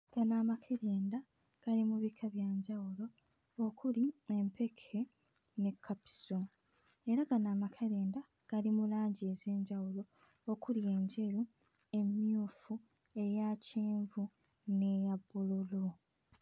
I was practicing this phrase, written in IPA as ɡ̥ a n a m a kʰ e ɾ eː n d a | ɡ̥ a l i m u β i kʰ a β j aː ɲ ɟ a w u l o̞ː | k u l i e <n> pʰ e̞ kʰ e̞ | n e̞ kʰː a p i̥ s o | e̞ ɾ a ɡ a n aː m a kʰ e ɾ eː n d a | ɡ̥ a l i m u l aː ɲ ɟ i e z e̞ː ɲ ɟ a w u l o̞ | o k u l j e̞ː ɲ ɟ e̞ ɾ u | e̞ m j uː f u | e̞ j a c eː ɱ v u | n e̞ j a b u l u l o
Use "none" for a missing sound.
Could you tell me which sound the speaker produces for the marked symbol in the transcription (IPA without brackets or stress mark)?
m